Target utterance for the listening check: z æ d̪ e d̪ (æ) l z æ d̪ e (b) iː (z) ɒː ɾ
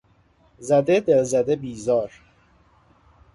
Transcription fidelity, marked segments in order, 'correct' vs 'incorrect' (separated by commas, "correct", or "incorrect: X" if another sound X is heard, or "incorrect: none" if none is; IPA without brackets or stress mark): incorrect: e, correct, correct